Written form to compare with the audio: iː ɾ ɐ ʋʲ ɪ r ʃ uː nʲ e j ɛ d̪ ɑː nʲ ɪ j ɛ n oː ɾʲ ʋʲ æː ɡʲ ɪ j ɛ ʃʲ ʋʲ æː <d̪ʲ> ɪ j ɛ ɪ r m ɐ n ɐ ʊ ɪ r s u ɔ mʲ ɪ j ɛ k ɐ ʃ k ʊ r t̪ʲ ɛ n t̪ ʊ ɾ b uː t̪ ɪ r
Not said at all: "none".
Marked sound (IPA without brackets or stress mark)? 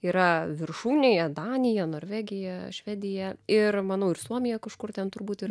d̪ʲ